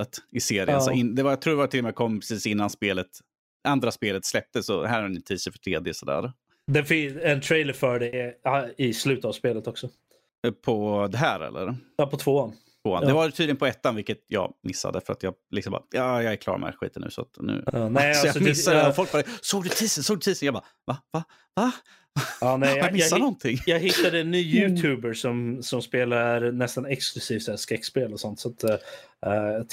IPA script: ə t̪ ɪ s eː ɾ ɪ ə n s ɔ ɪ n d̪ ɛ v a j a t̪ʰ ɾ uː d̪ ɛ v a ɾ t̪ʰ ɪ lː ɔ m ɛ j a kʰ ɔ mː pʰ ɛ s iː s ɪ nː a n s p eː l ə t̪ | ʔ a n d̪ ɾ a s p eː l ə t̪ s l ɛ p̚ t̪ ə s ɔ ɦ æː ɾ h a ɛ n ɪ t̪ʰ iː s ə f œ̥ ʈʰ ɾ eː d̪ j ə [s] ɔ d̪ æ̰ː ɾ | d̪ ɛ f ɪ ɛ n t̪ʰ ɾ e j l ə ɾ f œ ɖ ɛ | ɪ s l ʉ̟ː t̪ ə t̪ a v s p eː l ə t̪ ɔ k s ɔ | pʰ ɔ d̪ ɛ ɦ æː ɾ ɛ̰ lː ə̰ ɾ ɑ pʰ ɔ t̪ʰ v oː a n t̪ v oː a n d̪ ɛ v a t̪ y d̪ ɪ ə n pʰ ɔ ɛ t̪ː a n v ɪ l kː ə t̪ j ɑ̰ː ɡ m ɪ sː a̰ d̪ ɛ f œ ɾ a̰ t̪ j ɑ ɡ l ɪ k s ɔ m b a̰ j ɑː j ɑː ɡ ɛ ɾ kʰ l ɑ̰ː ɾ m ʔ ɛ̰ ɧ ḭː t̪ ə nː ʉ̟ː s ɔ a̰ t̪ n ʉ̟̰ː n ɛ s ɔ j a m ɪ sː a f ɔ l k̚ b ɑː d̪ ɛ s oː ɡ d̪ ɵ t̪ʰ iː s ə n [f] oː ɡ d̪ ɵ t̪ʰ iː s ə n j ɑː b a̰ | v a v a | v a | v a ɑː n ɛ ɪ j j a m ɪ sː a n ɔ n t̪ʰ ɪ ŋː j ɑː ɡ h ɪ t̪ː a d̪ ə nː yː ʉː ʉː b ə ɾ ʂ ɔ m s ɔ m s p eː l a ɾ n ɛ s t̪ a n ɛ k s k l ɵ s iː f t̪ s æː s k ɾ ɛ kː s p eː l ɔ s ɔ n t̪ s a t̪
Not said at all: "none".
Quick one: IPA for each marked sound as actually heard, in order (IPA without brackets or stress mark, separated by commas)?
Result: s, s